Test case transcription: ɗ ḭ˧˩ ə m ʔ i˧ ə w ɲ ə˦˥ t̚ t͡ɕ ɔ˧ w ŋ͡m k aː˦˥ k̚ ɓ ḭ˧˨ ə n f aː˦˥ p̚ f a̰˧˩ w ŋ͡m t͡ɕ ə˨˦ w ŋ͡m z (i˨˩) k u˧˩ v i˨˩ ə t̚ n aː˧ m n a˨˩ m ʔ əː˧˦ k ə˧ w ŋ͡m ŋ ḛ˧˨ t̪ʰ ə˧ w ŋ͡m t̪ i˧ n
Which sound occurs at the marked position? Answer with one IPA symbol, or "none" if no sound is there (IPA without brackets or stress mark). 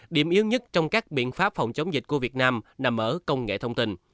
i˨˩